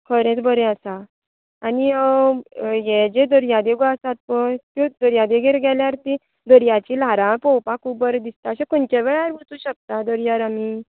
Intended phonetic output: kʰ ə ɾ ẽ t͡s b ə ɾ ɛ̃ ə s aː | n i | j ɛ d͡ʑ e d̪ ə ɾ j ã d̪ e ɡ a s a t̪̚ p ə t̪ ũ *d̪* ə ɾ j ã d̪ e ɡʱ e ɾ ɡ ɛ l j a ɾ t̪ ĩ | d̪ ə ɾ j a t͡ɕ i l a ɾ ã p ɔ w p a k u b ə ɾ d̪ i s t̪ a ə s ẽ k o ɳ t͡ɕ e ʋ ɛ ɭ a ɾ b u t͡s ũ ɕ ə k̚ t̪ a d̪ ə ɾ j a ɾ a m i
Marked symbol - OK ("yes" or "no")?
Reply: yes